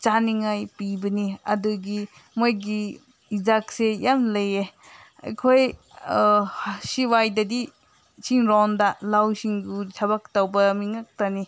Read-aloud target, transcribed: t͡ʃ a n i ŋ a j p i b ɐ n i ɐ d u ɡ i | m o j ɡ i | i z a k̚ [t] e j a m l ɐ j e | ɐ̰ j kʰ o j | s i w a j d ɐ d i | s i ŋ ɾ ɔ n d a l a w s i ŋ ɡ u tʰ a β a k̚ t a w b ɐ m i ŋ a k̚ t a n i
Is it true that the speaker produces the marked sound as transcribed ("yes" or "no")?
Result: no